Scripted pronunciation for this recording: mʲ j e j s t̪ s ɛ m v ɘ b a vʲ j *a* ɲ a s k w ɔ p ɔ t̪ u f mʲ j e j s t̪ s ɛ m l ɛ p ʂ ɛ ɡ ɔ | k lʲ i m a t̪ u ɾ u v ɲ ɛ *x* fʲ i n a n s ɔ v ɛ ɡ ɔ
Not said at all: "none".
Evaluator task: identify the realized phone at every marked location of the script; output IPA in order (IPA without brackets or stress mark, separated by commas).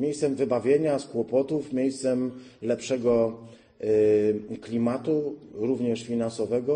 e, ʂ